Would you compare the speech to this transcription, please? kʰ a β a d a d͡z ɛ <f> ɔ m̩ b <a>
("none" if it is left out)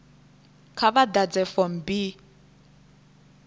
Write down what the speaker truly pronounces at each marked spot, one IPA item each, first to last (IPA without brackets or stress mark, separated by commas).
f, i